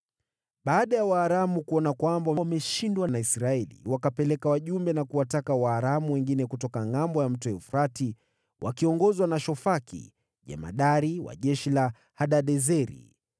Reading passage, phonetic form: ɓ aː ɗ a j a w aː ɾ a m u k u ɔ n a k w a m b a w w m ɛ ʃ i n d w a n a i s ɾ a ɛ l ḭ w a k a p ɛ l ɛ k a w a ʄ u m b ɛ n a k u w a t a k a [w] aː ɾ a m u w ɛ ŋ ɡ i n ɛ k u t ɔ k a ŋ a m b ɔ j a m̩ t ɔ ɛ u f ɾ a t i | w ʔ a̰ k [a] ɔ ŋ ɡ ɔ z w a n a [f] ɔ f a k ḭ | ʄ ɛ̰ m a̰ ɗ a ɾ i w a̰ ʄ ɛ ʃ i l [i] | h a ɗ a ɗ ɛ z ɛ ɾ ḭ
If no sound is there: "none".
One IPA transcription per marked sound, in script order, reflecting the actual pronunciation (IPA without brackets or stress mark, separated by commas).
w, i, ʃ, a